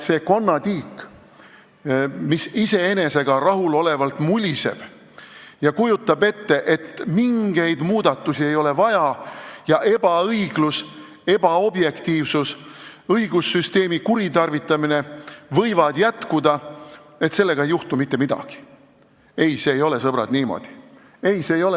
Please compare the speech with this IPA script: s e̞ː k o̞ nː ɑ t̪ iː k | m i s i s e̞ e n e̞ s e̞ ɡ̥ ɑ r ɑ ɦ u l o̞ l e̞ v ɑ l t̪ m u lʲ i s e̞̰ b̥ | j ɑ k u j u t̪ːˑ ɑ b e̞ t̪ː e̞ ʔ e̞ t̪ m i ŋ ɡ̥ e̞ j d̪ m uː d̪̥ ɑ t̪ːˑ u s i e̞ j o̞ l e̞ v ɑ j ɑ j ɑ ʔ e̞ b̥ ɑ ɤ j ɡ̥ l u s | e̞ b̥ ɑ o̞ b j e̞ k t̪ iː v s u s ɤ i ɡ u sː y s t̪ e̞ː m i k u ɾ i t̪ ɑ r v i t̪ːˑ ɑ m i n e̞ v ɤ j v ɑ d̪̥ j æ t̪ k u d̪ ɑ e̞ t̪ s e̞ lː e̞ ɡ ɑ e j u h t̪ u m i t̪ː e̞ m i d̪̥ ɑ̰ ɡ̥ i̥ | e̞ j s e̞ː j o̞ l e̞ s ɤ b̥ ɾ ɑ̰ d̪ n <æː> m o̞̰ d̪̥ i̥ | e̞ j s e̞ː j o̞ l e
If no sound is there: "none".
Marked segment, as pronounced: iː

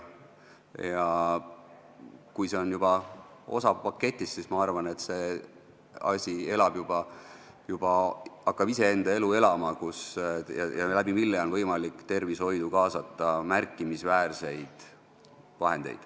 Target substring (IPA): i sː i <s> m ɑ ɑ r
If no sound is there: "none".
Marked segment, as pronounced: s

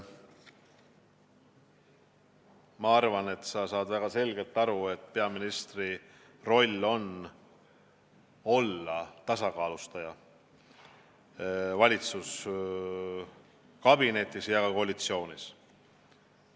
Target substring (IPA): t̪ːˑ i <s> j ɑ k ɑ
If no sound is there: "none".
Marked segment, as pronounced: s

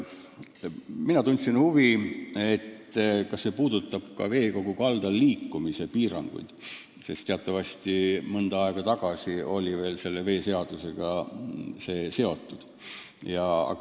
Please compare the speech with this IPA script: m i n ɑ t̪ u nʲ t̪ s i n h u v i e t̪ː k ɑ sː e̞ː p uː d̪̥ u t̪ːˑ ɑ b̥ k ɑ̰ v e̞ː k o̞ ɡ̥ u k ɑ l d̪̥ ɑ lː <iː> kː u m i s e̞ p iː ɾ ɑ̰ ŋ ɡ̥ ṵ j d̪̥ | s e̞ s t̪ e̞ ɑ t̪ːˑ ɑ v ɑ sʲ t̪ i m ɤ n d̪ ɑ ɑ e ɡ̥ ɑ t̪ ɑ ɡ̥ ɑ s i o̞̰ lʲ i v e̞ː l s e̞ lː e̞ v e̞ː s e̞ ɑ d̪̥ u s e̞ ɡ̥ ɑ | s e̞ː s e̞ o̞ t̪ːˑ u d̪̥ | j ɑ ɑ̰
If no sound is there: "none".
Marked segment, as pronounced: iː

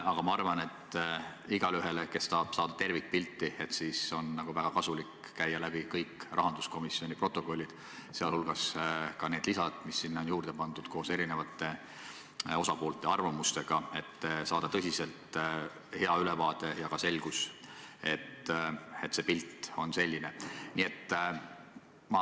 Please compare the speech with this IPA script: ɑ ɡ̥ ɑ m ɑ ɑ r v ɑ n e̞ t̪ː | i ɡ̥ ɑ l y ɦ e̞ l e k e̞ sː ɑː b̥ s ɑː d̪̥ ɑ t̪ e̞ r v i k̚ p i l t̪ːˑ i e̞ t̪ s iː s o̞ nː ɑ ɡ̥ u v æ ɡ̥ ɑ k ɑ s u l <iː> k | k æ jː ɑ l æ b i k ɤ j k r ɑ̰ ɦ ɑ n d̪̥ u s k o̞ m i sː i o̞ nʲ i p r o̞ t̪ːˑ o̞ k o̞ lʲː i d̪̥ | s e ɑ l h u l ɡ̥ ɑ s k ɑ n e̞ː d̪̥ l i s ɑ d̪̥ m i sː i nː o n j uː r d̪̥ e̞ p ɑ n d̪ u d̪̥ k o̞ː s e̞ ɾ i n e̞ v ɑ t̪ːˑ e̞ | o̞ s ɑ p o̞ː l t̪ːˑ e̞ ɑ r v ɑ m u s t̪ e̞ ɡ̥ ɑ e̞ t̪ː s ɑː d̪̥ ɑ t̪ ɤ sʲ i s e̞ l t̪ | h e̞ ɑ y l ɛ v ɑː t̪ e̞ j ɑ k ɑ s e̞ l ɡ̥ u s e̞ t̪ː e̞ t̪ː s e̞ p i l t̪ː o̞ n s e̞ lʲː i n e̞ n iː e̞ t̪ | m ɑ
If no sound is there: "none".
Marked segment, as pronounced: i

